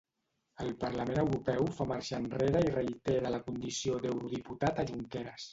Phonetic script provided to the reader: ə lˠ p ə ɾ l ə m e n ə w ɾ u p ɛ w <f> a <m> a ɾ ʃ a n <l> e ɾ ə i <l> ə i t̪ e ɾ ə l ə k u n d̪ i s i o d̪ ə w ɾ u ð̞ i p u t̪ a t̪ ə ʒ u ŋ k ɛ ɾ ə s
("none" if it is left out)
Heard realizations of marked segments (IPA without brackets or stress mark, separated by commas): f, m, r, r